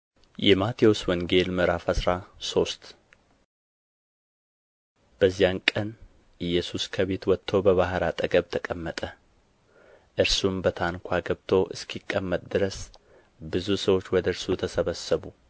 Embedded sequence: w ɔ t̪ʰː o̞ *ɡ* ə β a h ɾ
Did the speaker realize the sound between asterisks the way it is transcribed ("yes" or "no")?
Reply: no